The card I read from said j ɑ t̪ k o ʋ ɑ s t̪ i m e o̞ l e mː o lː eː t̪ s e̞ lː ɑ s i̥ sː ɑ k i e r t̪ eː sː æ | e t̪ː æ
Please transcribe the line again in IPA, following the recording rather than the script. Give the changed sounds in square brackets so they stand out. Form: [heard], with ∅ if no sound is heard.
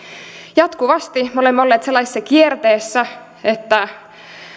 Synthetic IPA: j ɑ t̪ k [u] ʋ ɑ s t̪ i m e o̞ l e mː o lː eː t̪ s e̞ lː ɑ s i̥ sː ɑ k i e r t̪ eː sː æ | e t̪ː æ